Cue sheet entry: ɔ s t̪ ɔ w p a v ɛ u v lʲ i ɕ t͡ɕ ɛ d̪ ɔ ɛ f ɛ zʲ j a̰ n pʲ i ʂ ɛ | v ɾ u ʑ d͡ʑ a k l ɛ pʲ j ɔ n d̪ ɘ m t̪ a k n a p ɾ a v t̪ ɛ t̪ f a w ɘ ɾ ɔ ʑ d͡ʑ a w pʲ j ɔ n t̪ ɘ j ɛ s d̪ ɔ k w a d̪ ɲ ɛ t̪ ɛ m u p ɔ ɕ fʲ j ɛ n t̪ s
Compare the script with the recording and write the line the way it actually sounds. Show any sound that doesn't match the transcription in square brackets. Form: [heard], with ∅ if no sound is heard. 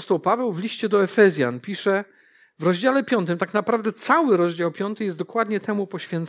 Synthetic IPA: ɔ s t̪ ɔ w p a v ɛ [w] v lʲ i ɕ t͡ɕ ɛ d̪ ɔ ɛ f ɛ zʲ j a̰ n pʲ i ʂ ɛ | v ɾ [ɔ] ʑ d͡ʑ a [∅] l ɛ pʲ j ɔ n [t̪] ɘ m t̪ a k n a p ɾ a v [d̪] ɛ t̪ [s] a w ɘ ɾ ɔ ʑ d͡ʑ a w pʲ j ɔ n t̪ ɘ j ɛ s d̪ ɔ k w a d̪ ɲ ɛ t̪ ɛ m u p ɔ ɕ fʲ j ɛ n t̪ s